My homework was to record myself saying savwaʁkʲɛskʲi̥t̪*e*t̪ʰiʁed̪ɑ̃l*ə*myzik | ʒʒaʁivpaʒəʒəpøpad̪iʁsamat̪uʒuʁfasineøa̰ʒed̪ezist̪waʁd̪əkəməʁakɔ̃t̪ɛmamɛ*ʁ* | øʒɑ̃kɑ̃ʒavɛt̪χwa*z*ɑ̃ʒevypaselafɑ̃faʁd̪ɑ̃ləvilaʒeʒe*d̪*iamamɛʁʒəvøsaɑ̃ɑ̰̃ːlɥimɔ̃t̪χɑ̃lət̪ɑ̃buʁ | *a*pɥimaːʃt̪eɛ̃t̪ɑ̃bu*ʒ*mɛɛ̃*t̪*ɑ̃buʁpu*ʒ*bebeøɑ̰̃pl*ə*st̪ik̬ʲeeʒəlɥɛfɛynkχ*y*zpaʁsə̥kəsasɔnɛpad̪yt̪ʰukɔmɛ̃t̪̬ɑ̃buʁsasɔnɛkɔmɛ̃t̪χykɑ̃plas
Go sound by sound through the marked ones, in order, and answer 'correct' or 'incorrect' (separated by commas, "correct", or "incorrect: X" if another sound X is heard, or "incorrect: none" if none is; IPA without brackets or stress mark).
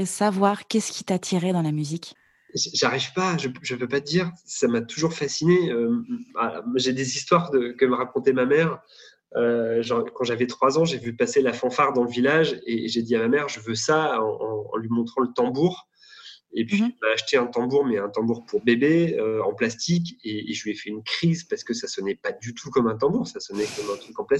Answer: incorrect: a, incorrect: a, correct, correct, correct, incorrect: e, incorrect: ʁ, correct, incorrect: ʁ, incorrect: a, incorrect: i